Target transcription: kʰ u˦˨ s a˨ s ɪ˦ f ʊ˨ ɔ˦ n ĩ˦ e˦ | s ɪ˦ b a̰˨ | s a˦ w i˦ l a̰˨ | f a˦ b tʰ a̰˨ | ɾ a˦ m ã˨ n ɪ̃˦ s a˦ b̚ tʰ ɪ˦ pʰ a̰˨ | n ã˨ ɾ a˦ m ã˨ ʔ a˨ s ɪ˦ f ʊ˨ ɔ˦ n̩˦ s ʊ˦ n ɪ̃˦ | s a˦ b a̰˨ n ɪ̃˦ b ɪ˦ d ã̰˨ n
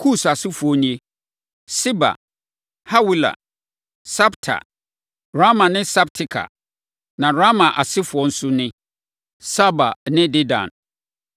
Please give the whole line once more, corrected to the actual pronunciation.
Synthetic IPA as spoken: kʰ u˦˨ s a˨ s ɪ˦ f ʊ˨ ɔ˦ n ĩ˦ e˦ | s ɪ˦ b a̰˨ | h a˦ w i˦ l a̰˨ | s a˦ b tʰ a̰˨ | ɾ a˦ m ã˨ n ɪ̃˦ s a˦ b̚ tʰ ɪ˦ kʰ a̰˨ | n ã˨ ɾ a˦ m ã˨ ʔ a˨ s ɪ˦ f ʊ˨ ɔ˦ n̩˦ s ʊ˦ n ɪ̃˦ | s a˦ b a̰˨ n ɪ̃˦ d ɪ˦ d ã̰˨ n